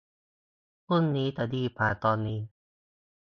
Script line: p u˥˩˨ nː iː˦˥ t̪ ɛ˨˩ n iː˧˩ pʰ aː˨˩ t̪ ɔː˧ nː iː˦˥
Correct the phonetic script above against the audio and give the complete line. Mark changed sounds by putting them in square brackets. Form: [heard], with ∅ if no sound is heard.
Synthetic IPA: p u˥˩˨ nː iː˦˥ t̪ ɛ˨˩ [d] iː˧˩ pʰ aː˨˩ t̪ ɔː˧ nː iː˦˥